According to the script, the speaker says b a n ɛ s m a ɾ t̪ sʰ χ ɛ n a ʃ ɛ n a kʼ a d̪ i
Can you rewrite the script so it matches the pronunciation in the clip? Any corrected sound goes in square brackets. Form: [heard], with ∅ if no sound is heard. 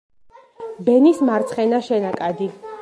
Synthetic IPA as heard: b [ɛ] n [i] s m a ɾ t̪ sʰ χ ɛ n a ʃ ɛ n a kʼ a d̪ i